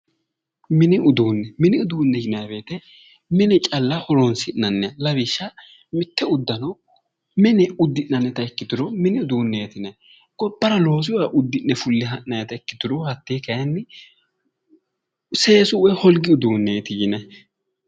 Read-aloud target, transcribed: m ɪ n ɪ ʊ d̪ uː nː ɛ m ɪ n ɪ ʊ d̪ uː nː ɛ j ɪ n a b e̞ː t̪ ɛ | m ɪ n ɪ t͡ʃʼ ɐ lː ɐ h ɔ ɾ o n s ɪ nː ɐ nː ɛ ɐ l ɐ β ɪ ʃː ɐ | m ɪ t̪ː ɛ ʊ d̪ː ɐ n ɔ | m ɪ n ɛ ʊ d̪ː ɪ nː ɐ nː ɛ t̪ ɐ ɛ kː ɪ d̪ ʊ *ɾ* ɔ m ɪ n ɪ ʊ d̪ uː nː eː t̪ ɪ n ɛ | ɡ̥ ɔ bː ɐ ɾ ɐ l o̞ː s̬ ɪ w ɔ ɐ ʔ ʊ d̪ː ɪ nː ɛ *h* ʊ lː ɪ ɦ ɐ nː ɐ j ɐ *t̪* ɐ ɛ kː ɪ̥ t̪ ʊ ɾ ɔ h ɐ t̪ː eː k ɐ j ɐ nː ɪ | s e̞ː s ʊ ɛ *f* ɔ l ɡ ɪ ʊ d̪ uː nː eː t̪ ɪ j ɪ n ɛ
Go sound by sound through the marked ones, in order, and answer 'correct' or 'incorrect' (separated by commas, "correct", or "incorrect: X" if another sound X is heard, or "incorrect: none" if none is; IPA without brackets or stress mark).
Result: correct, incorrect: f, correct, incorrect: h